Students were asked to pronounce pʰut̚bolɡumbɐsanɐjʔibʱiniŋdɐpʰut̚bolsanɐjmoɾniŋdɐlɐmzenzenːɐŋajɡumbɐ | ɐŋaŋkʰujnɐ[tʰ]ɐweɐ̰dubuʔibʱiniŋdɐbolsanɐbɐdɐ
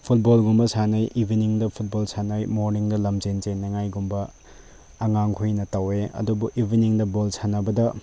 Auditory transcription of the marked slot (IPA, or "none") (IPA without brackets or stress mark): t